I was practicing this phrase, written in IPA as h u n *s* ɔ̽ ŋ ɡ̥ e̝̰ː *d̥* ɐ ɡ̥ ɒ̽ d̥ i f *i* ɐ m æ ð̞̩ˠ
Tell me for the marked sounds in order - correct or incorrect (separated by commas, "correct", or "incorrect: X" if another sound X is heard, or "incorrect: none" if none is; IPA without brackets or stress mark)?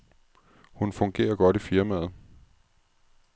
incorrect: f, incorrect: none, correct